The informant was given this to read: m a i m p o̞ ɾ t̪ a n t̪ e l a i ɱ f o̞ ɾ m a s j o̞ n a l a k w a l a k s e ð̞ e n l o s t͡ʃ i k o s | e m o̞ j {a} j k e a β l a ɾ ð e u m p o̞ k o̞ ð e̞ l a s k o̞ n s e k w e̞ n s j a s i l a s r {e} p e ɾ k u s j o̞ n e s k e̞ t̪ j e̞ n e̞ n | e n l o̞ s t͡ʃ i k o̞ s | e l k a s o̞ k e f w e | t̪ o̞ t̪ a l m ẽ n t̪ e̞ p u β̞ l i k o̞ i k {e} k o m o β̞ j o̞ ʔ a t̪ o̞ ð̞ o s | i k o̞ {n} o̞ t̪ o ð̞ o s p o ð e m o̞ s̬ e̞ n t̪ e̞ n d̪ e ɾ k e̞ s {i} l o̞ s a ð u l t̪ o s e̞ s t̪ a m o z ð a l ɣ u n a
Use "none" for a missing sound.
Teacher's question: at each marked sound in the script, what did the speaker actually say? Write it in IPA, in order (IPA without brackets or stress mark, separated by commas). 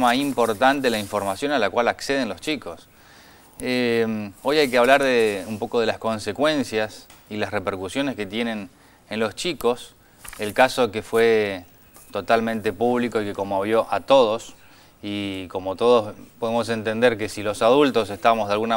a, e, e, m, i